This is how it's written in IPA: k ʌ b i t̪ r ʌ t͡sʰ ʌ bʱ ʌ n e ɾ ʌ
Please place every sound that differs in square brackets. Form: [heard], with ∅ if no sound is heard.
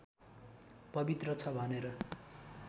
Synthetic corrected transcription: [p] ʌ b i t̪ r ʌ t͡sʰ ʌ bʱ ʌ n e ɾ ʌ